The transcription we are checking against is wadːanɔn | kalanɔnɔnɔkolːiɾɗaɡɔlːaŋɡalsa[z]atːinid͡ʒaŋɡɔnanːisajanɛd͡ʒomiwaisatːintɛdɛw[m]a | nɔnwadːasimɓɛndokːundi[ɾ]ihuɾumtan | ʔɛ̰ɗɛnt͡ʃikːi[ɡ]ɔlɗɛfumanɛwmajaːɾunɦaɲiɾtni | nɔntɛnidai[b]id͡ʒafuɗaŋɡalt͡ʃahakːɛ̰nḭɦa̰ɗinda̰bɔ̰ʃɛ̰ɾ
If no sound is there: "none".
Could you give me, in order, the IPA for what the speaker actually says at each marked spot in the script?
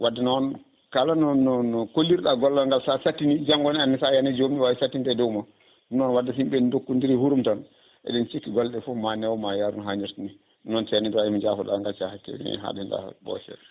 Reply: s, m, ɾ, ɡ, m

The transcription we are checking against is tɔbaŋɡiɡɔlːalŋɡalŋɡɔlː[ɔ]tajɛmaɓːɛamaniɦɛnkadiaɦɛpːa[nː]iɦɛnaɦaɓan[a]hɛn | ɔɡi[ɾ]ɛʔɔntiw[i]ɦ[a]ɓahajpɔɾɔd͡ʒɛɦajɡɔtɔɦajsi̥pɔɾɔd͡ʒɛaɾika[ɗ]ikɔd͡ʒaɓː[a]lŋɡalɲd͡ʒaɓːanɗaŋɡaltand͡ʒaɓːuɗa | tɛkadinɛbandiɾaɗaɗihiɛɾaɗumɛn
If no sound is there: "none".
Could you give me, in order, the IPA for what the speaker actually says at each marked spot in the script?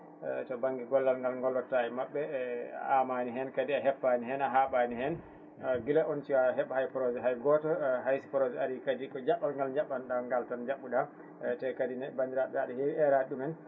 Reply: ɔ, n, i, l, a, ɛ, d, a

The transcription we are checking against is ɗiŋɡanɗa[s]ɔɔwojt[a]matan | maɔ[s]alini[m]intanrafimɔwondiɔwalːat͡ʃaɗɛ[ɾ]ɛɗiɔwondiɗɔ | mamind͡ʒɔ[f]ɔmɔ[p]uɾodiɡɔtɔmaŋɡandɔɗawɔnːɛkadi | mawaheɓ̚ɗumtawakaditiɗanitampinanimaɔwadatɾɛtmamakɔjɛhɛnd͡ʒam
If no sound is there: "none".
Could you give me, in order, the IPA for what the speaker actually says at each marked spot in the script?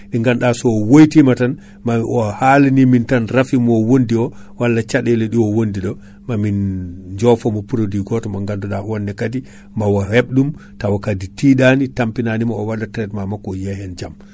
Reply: s, i, h, m, l, f, p

